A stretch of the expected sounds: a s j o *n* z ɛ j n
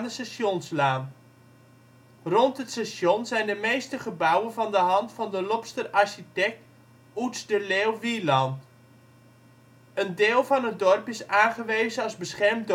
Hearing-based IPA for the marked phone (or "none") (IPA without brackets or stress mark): n